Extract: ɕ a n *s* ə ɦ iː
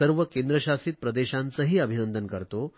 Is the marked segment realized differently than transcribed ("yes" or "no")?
yes